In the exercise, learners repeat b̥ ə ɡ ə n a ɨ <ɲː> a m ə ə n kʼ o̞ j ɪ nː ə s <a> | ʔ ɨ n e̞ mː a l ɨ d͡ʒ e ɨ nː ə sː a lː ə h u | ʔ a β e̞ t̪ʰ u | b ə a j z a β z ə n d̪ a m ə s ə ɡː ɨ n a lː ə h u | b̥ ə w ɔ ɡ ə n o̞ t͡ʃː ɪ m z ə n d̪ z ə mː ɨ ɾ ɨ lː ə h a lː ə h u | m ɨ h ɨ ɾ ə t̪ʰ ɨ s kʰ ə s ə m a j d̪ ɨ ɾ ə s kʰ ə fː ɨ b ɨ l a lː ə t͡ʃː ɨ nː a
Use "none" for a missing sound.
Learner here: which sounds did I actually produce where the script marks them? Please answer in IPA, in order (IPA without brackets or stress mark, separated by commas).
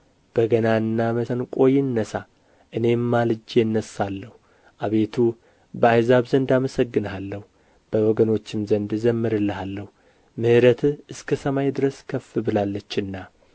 nː, a